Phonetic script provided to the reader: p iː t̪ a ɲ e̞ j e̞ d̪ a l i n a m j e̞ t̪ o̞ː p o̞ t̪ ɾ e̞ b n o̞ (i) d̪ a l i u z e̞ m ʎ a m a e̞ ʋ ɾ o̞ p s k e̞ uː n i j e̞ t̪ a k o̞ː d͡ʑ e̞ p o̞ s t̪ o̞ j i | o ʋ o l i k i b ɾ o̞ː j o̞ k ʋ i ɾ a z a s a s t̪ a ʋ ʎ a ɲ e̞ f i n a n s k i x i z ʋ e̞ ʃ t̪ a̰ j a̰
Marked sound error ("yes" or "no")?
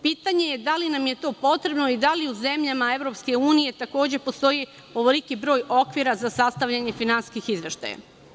no